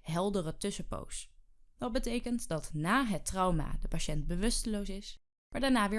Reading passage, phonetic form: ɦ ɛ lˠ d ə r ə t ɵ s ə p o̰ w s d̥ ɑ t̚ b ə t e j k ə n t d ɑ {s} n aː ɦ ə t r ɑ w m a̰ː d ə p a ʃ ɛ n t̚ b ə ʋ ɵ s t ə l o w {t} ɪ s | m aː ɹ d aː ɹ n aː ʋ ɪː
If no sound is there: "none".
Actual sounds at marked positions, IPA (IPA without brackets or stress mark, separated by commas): t, s